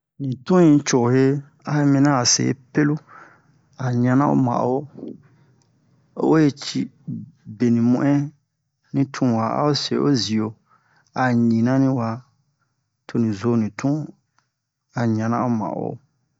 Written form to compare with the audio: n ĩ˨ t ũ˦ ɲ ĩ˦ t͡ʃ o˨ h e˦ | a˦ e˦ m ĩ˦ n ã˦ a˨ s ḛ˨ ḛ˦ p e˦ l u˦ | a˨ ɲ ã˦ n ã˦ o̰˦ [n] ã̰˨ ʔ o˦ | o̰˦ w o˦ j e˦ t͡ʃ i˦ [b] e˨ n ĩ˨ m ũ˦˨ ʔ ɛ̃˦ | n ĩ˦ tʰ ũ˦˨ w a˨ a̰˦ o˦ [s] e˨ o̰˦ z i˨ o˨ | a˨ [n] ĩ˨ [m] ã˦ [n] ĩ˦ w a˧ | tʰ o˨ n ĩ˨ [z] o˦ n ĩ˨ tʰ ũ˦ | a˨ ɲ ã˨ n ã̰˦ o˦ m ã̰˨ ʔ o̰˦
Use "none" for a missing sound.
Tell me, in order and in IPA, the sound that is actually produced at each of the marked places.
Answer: m, b, s, ɲ, n, n, z

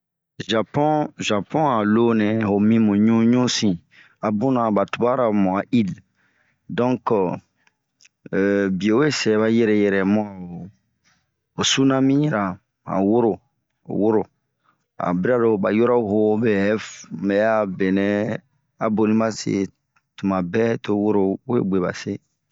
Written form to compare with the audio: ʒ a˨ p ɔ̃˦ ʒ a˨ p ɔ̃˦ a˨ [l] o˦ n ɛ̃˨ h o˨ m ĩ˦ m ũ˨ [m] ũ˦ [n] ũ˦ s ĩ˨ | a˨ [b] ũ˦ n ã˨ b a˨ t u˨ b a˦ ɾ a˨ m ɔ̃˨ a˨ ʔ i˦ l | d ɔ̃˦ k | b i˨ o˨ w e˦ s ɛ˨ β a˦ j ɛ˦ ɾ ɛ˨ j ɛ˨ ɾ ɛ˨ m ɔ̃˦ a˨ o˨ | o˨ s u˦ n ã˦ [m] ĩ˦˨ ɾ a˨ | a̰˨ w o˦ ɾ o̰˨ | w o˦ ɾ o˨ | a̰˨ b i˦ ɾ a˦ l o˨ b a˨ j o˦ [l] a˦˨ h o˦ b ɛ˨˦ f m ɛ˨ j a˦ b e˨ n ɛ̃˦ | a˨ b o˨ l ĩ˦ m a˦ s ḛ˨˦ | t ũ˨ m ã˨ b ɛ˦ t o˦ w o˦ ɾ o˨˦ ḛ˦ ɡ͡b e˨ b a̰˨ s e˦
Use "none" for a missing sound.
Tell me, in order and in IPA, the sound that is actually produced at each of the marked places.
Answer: l, ɲ, ɲ, b, m, ɾ

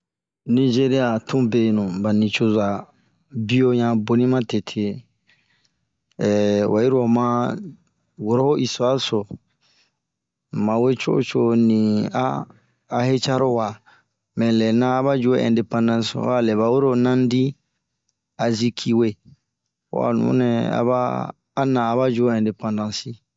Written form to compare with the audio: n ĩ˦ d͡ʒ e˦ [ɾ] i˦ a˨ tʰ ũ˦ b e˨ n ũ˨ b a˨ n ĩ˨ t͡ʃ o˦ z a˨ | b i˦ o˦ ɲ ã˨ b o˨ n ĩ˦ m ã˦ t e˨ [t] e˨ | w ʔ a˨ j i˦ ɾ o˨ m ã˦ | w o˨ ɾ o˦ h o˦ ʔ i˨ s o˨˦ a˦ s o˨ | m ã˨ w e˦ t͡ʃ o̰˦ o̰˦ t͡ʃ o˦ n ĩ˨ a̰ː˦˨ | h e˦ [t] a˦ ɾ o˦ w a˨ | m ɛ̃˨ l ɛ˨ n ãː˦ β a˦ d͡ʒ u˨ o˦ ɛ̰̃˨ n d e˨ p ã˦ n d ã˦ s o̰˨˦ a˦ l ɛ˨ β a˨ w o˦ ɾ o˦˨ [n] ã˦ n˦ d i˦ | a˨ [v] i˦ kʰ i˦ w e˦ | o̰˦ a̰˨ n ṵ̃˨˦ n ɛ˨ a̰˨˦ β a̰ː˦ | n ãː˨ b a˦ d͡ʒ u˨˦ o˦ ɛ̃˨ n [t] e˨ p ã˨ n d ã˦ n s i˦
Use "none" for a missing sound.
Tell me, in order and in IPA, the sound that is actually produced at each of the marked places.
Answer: ɾ, tʰ, t͡ʃ, n, z, d

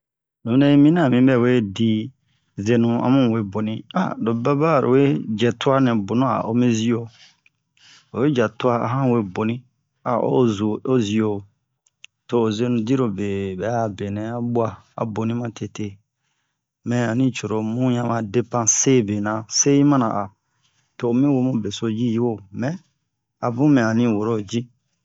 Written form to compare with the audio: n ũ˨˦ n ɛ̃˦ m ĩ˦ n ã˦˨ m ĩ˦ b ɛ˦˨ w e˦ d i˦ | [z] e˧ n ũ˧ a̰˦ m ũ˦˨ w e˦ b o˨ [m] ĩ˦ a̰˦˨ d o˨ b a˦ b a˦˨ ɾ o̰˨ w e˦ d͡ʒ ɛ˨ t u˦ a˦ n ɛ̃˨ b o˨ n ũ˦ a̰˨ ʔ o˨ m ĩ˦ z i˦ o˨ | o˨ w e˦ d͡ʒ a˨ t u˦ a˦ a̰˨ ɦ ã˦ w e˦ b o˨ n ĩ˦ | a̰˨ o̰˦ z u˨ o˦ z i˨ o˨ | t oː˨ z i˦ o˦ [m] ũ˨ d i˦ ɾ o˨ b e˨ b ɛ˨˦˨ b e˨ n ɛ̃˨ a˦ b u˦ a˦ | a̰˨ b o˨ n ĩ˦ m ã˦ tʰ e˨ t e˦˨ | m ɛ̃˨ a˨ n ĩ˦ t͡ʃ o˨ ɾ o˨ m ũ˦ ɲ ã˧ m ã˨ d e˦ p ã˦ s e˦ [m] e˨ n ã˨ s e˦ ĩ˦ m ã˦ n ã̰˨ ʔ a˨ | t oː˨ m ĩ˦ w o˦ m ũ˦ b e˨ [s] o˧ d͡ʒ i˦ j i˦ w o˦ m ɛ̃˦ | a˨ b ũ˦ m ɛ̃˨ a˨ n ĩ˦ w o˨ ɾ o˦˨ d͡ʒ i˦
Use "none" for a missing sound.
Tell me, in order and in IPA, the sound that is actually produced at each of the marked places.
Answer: z, n, n, b, s

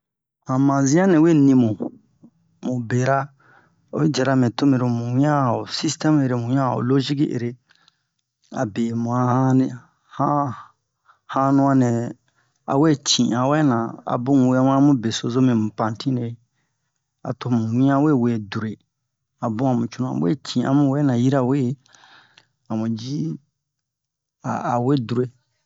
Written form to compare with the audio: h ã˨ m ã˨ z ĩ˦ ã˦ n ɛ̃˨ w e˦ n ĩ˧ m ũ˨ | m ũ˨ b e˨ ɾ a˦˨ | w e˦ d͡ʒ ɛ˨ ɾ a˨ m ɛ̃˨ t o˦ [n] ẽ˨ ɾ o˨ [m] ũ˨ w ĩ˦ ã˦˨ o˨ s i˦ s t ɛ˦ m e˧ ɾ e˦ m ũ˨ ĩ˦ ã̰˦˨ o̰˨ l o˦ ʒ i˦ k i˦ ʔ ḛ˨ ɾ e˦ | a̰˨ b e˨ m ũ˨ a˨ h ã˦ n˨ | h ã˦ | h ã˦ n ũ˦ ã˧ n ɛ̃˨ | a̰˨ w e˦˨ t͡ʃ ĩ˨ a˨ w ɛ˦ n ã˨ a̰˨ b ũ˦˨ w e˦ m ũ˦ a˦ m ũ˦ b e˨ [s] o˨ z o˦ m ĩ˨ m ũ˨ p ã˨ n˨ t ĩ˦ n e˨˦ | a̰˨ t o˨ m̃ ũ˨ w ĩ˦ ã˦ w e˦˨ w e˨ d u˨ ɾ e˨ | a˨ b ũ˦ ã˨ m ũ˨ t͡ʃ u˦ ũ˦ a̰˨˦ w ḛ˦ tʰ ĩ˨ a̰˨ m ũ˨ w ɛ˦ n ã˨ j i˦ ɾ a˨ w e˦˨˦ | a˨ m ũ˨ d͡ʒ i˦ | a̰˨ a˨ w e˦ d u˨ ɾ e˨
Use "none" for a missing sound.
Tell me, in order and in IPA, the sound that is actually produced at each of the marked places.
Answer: m, m, s

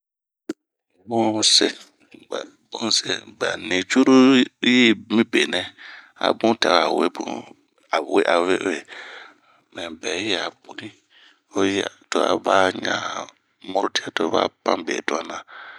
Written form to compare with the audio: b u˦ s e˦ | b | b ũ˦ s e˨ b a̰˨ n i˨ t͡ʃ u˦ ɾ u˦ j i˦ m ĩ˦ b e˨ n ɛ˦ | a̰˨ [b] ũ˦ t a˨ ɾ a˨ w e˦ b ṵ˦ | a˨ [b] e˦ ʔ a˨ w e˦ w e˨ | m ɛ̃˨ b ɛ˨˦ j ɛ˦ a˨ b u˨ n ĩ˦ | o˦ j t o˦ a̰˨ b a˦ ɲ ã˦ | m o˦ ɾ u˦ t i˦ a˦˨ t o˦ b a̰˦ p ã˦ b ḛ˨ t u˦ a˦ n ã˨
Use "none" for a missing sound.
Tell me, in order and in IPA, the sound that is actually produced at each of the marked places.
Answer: b, w

